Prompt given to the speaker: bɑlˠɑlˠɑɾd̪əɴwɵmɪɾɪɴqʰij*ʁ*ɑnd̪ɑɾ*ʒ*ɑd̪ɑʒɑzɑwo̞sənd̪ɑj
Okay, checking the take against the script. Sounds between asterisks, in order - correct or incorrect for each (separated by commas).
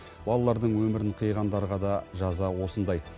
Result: correct, incorrect